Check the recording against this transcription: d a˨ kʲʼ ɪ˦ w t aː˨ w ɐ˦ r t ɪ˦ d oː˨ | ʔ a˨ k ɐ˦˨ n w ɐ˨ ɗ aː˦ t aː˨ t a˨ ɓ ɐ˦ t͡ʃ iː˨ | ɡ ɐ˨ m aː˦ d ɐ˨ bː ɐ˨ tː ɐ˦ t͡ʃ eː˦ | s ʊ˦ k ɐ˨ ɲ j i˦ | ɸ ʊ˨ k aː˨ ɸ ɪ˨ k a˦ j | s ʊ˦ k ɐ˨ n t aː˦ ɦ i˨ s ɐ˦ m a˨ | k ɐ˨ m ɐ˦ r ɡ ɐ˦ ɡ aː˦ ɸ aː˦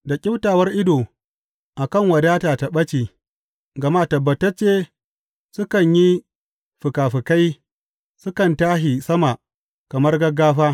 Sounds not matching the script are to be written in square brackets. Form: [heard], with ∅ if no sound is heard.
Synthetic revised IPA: d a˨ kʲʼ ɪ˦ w t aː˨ w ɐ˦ r [ʔ] ɪ˦ d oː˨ | ʔ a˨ k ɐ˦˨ [ŋ] w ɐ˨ [d] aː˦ t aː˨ t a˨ ɓ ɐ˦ t͡ʃ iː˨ | ɡ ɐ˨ m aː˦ [t] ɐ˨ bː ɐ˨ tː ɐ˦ t͡ʃ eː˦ | s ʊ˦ k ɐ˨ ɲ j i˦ | ɸ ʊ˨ k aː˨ ɸ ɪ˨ k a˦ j | s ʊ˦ k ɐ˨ n t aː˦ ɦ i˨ s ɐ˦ m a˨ | k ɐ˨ m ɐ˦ r ɡ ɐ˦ ɡ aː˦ ɸ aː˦

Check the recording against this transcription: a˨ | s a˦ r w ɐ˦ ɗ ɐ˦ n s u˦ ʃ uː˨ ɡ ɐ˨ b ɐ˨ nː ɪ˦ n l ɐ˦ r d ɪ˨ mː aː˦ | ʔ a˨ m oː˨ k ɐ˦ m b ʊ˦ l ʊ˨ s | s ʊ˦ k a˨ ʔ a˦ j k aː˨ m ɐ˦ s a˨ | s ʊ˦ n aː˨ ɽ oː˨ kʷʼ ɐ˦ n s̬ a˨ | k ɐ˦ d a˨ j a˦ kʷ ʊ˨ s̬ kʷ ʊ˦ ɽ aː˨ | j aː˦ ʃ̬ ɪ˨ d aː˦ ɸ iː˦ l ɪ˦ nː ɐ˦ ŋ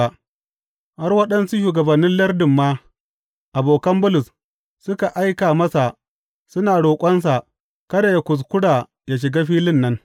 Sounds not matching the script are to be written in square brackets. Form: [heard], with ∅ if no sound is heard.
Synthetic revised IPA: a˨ | [h] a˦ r w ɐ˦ ɗ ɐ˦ n s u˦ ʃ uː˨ ɡ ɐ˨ b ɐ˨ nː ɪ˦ n l ɐ˦ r d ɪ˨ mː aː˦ | ʔ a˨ [b] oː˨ k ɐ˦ m b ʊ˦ l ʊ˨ s | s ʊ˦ k a˨ ʔ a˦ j k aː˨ m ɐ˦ s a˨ | s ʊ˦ n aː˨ ɽ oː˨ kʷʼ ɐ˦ n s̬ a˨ | k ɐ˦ d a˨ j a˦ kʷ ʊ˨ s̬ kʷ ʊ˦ ɽ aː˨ | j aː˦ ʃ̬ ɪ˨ [ɡ] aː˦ ɸ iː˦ l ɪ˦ nː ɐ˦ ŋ

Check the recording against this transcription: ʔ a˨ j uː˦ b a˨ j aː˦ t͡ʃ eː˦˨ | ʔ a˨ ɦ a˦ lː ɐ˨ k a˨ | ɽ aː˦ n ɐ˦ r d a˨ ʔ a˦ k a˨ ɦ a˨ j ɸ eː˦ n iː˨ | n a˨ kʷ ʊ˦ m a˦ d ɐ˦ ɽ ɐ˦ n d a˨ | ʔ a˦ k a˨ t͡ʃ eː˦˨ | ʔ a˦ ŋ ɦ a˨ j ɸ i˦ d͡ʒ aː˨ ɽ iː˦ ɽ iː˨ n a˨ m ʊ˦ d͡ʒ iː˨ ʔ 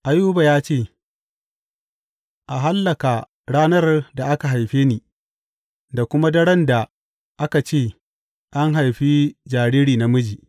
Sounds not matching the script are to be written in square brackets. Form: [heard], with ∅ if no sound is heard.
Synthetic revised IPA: ʔ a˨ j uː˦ b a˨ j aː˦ t͡ʃ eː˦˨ | ʔ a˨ ɦ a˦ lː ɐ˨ k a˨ | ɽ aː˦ n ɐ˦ r d a˨ ʔ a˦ k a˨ ɦ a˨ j ɸ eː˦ n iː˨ | [d] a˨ kʷ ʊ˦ m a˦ d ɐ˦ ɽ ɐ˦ n d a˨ | ʔ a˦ k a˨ t͡ʃ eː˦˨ | ʔ a˦ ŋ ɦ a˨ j ɸ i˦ d͡ʒ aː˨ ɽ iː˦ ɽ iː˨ n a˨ m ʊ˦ d͡ʒ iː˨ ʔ

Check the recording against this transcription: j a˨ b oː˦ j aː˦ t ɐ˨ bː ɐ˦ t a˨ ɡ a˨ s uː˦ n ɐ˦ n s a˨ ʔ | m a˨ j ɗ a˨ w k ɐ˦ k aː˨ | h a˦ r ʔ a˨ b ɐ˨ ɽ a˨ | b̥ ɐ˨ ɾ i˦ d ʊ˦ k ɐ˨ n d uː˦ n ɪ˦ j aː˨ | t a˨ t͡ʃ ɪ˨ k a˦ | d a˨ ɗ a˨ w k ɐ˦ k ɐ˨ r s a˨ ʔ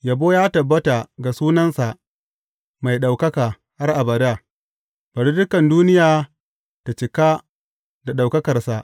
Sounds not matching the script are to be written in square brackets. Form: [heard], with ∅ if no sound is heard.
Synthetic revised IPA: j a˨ b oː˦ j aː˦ t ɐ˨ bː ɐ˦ t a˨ ɡ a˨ s uː˦ n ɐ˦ n s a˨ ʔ | m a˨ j ɗ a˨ w k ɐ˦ k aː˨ | h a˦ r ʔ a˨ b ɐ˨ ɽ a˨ | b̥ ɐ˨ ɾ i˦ d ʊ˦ k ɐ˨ n d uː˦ n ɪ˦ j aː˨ | t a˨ t͡ʃ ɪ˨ k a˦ | d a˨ ɗ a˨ w k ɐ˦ k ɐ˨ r s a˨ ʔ

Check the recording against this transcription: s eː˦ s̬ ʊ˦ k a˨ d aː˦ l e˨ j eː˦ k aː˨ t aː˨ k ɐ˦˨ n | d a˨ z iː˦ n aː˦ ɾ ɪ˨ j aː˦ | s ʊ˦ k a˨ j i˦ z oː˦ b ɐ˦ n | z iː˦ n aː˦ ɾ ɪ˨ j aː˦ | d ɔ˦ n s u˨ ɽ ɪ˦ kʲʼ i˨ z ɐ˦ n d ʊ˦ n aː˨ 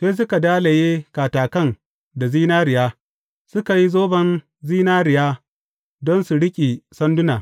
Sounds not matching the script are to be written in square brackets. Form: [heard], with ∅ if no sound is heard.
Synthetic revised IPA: s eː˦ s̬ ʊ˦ k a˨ d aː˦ l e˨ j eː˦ k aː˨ t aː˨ k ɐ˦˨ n | d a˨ z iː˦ n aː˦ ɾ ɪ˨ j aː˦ | s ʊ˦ k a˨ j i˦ z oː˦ b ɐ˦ n | z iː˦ n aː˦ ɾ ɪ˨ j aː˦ | d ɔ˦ n s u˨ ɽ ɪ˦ kʲʼ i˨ [s] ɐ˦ n d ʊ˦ n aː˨

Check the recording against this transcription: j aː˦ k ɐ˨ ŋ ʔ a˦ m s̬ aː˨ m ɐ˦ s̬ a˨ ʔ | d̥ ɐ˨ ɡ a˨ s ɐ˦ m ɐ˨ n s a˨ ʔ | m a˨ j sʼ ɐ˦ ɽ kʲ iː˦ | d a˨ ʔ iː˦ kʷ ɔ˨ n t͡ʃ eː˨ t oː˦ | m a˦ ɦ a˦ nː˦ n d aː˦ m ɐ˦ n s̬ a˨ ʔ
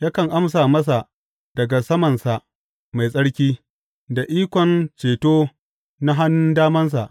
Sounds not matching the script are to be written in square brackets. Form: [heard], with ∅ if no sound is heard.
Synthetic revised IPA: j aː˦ k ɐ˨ ŋ ʔ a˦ m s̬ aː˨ m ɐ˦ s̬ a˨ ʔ | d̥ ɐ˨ ɡ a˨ s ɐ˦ m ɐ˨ n s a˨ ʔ | m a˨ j sʼ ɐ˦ ɽ kʲ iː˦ | d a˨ ʔ iː˦ kʷ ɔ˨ n t͡ʃ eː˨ t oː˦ | [n] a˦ ɦ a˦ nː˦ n d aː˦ m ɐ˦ n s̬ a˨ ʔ

